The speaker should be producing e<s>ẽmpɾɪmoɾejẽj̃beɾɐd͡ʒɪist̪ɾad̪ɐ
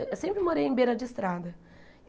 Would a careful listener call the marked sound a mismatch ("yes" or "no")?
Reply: no